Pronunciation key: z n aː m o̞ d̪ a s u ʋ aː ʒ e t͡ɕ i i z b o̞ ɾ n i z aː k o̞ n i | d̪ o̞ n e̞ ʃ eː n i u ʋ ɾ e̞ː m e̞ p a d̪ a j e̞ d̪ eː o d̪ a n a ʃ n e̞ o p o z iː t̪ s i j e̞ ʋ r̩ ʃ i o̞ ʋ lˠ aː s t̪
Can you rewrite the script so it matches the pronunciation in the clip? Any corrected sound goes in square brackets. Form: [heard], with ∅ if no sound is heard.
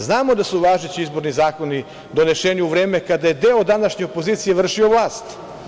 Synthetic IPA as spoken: z n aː m o̞ d̪ a s u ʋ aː ʒ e t͡ɕ i i z b o̞ ɾ n i z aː k o̞ n i | d̪ o̞ n e̞ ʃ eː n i u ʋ ɾ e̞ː m e̞ [k] a d̪ a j e̞ d̪ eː o d̪ a n a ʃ [ɲ] e̞ o p o z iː t̪ s i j e̞ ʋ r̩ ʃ i o̞ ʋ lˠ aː s t̪